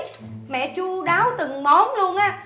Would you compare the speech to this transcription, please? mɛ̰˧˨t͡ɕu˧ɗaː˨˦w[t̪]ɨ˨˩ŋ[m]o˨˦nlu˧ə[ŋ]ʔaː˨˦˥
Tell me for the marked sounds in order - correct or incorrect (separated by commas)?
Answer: correct, correct, incorrect